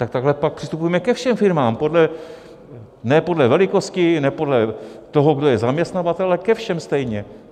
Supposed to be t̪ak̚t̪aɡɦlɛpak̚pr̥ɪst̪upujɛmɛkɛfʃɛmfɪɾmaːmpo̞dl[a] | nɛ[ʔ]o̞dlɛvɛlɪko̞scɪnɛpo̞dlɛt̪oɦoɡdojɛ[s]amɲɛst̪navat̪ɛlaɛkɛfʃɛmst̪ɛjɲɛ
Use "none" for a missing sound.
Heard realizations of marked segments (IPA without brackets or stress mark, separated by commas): ɛ, p, z